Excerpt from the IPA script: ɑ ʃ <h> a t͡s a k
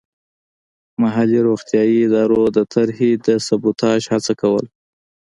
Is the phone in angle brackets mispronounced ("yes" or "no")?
no